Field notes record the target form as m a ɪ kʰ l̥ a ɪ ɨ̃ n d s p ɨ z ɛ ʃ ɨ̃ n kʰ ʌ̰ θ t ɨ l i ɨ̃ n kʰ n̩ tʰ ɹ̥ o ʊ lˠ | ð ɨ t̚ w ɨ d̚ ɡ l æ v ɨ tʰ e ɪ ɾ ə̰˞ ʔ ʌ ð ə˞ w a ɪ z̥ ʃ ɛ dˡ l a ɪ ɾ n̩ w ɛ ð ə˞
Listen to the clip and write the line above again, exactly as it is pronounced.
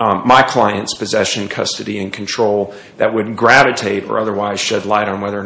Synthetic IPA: m a ɪ kʰ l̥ a ɪ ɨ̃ n t s p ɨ z ɛ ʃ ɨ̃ n kʰ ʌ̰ s t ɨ ɾ i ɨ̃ n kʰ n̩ tʰ ɹ̥ o ʊ lˠ | ð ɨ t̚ w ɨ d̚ ɡ ɹ æ v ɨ tʰ e ɪ ɾ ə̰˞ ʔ ʌ ð ə˞ w a ɪ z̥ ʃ ɛ dˡ l a ɪ ɾ n̩ w ɛ ð ə˞